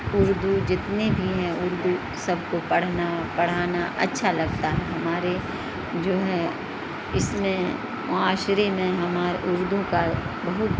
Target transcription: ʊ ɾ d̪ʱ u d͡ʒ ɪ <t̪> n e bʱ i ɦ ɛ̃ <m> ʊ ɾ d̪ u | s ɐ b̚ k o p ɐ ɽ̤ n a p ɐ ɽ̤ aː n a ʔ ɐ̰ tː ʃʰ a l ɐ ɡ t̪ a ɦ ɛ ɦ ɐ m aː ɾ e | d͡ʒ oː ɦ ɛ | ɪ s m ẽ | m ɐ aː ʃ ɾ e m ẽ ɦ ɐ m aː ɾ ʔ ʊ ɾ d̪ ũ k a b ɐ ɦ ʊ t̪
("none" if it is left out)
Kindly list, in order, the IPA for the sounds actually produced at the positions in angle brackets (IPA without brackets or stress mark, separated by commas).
t̪, none